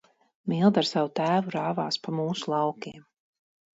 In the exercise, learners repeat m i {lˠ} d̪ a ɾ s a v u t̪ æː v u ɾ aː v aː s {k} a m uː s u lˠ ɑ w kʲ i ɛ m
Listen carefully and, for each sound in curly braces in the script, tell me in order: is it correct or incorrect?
correct, incorrect

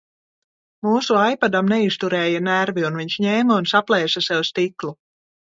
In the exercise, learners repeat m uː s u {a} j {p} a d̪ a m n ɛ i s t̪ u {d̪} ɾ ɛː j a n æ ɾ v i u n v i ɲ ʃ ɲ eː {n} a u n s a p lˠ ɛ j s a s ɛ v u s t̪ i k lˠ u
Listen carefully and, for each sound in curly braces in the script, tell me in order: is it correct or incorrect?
correct, correct, incorrect, incorrect

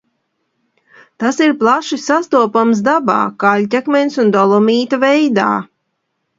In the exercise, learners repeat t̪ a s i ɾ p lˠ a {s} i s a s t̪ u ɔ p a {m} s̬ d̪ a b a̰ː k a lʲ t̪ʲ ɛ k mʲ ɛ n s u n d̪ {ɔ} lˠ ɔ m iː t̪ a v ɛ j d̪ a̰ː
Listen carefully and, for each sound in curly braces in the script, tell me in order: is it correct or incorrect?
incorrect, correct, correct

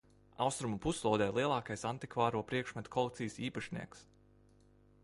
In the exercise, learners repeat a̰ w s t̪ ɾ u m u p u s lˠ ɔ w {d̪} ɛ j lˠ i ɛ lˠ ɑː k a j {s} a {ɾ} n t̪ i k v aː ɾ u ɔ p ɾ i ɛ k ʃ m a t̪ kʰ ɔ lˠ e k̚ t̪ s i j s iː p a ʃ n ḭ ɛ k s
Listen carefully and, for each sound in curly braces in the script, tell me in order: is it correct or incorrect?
correct, correct, incorrect

